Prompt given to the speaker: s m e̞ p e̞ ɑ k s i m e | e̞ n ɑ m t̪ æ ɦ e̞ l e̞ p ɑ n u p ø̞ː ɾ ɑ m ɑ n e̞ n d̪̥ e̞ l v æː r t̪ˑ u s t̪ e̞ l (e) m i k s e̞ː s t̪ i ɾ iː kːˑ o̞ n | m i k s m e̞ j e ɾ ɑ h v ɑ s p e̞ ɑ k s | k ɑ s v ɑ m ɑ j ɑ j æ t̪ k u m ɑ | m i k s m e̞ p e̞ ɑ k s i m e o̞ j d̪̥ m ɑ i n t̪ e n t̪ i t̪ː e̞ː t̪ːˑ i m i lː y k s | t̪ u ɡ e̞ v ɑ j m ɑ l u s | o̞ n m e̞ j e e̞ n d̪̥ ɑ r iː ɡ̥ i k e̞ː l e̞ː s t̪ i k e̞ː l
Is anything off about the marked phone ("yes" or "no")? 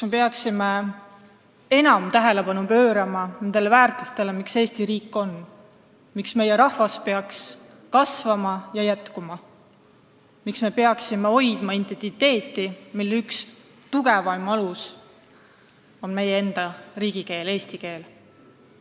no